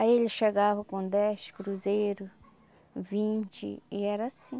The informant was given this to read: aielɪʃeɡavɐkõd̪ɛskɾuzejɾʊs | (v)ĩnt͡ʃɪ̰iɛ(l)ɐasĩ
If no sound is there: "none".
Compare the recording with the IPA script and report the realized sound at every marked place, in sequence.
v, ɾ

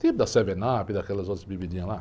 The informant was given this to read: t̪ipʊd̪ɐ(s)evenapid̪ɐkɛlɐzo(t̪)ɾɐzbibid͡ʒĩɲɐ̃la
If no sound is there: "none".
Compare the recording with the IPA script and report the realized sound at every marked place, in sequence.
s, t̪

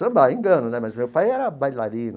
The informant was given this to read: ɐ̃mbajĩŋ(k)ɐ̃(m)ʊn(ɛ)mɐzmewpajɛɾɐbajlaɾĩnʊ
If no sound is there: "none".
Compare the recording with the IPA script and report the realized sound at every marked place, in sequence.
ɡ, n, ɛ

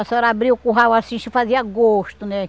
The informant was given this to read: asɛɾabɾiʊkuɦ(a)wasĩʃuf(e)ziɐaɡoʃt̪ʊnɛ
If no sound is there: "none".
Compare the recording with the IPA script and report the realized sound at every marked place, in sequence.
a, a

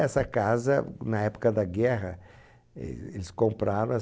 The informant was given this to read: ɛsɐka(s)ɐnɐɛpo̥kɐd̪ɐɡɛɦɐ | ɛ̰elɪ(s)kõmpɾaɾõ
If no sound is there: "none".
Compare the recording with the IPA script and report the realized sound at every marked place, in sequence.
z, s

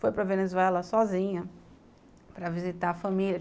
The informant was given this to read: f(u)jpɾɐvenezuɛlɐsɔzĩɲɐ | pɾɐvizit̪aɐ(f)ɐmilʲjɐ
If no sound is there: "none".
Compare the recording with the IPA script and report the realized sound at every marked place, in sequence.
o, f

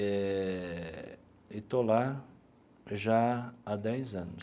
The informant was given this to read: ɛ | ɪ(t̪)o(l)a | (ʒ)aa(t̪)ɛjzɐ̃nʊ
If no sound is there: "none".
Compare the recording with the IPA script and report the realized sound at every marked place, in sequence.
t̪, l, ʒ, d̪

